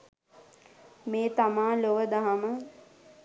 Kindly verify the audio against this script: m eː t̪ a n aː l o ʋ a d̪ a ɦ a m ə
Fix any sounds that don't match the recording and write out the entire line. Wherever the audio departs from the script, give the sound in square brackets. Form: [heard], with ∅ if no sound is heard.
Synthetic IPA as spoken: m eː t̪ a [m] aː l o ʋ [ə] d̪ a ɦ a m ə